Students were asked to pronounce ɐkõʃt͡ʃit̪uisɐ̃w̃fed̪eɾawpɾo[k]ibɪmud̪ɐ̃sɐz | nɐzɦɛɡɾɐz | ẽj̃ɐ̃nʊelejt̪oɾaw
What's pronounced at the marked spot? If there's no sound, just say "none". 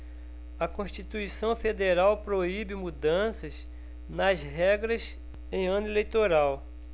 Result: none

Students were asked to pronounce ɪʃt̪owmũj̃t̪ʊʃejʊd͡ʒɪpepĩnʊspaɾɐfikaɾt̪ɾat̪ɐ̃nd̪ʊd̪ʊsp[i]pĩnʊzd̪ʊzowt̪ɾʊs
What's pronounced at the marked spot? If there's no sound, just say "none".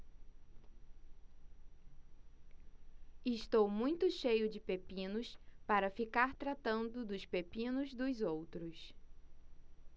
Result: e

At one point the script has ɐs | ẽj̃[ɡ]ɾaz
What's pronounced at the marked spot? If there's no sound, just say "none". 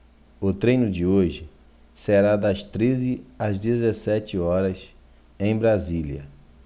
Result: b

